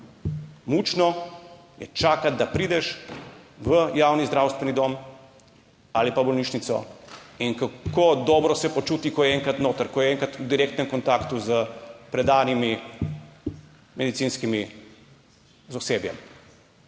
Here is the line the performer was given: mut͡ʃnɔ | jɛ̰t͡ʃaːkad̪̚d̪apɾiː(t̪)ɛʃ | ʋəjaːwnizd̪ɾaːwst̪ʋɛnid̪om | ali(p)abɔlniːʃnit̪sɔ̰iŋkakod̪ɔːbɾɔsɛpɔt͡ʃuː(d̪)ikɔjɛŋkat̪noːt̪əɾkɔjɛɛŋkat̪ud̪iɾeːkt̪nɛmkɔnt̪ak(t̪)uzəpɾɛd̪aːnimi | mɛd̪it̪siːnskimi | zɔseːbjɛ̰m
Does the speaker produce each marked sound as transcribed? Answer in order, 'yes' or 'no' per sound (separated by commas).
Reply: no, yes, no, yes